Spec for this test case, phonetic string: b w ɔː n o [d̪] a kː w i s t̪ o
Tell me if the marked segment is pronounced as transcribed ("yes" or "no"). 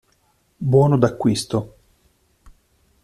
yes